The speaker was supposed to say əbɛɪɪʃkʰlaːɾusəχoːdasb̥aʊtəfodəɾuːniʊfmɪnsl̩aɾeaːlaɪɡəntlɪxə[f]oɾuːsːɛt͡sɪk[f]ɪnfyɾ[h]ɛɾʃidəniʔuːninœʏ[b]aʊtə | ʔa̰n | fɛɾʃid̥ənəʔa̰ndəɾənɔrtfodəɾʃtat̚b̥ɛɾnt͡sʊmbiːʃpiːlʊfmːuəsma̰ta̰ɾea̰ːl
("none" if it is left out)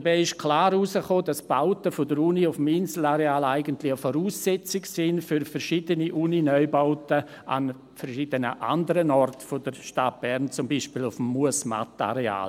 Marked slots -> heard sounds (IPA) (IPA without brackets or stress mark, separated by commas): f, s, f, b